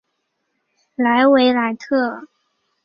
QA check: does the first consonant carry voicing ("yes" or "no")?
yes